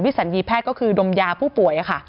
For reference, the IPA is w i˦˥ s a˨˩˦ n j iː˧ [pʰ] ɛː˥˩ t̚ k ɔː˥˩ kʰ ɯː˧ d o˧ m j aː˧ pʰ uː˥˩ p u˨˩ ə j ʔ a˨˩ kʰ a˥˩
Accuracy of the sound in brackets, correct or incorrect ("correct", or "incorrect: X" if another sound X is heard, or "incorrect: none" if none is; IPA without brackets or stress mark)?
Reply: correct